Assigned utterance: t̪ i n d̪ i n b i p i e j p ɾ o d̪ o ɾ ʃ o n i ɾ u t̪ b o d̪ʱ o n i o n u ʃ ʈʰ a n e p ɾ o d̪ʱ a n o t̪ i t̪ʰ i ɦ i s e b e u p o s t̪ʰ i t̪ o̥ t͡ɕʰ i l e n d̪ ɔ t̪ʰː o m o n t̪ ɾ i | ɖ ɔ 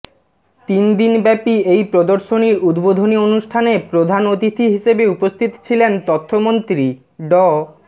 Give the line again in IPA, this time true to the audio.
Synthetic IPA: t̪ i n d̪ i n b ɛ p i e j p ɾ o d̪ o ɾ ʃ o n i ɾ u d̪ b o d̪ʱ o n i o n u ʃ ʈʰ a n e p ɾ o d̪ʱ a n o t̪ i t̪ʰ i ɦ i ʃ e b e u p o s t̪ʰ i t̪ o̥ t͡ɕʰ i l e n t̪ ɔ t̪ʰː o m o n t̪ ɾ i | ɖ ɔ